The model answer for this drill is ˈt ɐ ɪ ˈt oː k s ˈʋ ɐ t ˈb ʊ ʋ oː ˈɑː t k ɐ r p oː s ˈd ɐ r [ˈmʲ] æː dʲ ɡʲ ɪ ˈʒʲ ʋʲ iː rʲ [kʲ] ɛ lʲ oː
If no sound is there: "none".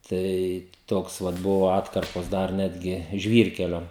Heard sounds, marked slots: nʲ, kʲ

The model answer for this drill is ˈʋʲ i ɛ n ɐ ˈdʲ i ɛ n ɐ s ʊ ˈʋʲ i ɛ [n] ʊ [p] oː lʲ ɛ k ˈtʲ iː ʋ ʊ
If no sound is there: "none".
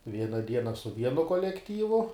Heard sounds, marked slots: n, k

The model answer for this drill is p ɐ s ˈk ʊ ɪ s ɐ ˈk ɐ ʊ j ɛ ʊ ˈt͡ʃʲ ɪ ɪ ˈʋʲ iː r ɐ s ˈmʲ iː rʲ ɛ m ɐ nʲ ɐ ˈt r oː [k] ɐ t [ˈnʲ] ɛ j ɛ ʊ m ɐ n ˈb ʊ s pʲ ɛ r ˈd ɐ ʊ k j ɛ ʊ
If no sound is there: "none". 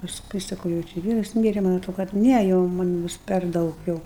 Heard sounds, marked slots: k, nʲ

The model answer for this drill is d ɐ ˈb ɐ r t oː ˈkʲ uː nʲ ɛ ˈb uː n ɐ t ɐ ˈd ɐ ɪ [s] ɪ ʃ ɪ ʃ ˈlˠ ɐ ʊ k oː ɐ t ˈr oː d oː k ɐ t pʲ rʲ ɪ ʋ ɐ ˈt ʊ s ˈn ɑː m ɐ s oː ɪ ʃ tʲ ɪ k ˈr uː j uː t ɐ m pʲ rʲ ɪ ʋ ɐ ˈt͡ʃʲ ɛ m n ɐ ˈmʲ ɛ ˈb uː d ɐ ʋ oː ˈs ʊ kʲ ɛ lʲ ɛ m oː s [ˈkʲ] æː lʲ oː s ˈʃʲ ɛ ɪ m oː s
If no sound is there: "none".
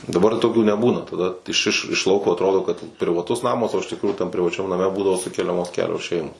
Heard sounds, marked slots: ʃ, kʲ

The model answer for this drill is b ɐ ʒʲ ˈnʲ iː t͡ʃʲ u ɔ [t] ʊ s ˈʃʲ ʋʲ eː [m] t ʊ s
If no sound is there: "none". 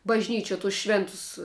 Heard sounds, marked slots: t, n

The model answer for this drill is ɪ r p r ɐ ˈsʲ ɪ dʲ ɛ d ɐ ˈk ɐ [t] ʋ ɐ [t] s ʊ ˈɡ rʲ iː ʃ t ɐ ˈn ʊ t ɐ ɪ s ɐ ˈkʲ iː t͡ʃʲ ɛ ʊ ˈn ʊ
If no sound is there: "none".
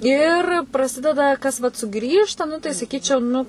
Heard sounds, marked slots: s, t

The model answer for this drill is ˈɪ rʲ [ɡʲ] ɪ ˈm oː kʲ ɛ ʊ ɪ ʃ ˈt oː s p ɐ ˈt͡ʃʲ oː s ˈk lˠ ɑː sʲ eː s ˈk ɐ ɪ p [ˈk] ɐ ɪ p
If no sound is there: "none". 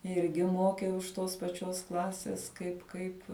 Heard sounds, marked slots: ɡʲ, k

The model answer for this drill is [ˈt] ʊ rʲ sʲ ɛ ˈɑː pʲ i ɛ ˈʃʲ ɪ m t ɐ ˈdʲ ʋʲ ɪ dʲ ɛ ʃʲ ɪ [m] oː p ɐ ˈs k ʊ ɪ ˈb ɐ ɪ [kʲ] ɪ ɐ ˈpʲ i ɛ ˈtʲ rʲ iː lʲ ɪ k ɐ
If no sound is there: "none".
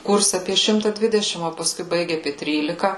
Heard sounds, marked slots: k, m, ɡʲ

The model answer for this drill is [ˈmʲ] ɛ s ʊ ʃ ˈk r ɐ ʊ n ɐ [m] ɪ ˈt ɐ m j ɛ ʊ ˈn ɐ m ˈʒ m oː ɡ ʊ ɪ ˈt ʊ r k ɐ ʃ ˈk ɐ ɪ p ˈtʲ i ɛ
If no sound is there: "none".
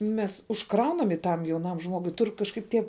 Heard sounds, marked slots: mʲ, m

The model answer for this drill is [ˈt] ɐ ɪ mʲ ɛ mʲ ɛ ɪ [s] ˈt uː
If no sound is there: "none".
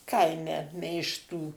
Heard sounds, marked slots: k, ʃ

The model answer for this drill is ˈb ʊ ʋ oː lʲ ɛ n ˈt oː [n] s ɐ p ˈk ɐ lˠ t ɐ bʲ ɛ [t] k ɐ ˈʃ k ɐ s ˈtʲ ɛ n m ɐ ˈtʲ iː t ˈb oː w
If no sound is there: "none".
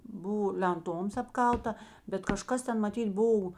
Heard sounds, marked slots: m, t

